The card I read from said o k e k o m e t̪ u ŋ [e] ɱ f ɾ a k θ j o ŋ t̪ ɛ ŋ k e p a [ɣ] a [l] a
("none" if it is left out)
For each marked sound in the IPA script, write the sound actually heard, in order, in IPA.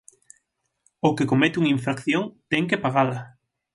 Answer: i, ɣ, l

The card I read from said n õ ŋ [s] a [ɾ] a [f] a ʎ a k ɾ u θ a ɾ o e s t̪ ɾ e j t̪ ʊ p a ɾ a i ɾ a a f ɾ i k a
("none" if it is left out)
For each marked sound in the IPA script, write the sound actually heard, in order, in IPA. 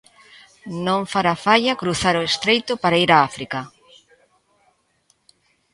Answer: f, ɾ, f

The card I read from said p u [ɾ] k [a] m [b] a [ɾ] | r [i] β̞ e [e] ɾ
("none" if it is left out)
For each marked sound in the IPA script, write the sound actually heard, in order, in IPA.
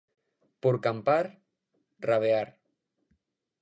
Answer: ɾ, a, p, ɾ, a, a

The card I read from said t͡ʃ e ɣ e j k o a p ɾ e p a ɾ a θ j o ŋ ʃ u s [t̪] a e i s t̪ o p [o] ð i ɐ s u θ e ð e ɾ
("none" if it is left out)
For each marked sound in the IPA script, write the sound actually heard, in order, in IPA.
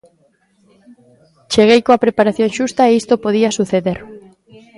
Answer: t̪, o

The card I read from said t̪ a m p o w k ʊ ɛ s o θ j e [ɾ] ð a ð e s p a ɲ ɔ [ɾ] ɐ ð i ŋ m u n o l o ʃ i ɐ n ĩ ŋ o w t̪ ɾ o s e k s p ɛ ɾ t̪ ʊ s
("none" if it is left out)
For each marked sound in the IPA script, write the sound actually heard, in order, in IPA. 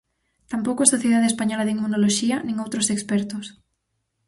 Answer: none, l

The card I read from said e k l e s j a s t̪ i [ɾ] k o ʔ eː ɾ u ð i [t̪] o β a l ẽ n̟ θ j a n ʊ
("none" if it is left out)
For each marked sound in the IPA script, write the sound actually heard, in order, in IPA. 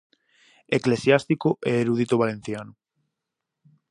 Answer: none, t̪

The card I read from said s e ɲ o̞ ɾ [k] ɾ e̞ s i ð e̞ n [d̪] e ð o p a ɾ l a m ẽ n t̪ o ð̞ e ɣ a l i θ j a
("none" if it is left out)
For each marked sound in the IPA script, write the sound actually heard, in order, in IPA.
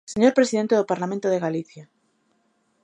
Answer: p, t̪

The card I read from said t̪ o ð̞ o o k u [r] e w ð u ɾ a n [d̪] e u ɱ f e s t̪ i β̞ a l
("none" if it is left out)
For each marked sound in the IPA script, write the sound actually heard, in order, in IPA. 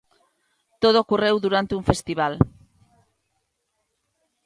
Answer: r, t̪

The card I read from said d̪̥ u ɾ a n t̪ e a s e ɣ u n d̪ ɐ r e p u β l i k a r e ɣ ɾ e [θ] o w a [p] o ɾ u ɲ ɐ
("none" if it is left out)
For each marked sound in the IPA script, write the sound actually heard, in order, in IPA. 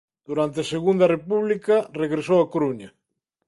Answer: s, k

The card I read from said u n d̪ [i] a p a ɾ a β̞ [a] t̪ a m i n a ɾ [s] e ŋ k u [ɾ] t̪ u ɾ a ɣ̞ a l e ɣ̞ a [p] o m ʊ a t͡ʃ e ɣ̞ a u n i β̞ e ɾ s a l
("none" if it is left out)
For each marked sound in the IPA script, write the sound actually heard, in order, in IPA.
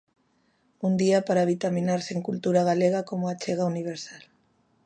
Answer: i, i, s, l, k

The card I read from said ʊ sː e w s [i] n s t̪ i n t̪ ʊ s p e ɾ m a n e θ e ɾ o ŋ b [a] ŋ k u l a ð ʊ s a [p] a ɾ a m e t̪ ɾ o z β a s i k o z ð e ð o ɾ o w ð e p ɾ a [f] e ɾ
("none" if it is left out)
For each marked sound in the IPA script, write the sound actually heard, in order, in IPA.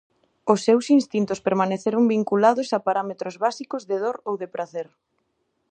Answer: i, i, p, θ

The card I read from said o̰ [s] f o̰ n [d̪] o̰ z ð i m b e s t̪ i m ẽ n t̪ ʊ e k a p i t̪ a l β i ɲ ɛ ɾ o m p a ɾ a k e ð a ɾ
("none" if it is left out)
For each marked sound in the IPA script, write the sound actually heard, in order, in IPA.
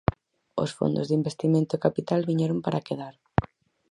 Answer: s, d̪

